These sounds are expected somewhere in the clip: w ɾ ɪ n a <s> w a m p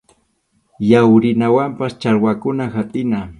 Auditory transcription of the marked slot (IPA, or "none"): none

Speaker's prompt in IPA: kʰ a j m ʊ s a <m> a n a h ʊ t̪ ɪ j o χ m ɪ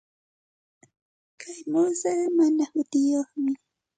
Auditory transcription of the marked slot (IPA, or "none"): m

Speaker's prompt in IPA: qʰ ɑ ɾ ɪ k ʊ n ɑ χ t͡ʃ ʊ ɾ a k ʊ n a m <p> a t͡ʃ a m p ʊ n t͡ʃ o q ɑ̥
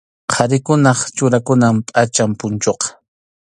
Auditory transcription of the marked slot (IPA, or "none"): pʼ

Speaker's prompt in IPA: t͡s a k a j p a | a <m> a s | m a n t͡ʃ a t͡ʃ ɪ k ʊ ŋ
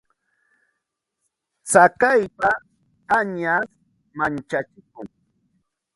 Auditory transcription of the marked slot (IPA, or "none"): ɲ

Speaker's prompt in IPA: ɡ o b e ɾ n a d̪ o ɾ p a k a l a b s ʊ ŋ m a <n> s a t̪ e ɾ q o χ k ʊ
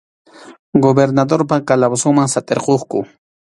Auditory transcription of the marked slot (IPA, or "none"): ŋ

